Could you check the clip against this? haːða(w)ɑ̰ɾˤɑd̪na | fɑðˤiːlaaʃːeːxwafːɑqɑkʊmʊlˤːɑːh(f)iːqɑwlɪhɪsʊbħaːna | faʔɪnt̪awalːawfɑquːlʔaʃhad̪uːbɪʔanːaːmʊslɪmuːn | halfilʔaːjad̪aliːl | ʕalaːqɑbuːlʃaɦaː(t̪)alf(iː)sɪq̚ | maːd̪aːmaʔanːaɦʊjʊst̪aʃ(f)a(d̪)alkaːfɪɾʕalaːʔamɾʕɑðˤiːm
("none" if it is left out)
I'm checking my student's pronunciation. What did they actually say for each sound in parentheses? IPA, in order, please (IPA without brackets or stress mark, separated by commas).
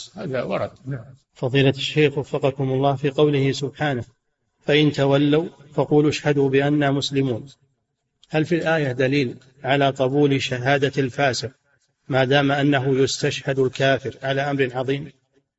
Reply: w, f, d̪, aː, h, d̪